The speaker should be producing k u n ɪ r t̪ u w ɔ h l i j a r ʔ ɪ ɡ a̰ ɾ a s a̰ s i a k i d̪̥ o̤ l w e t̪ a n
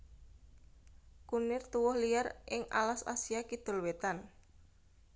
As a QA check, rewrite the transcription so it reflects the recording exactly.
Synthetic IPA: k u n ɪ r t̪ u w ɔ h l i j a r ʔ ɪ ŋ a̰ l a s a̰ s i a k i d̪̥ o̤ l w e t̪ a n